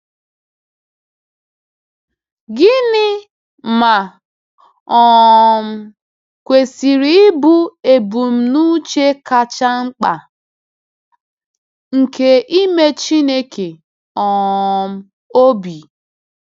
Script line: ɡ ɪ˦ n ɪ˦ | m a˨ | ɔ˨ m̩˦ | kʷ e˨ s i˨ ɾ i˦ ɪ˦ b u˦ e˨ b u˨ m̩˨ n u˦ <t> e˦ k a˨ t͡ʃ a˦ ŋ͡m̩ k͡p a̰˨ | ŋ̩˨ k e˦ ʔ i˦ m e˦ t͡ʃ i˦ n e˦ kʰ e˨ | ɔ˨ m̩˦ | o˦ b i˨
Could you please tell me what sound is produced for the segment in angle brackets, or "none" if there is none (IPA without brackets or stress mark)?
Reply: t͡ʃ